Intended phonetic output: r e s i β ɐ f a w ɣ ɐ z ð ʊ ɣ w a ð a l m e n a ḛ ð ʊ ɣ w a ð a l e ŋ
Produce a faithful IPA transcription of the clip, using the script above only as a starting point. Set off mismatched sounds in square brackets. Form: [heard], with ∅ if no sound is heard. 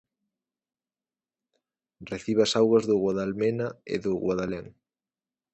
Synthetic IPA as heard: r e [θ] i β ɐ [s] a w ɣ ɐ z ð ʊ ɣ w a ð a l m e n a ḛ ð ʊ ɣ w a ð a l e ŋ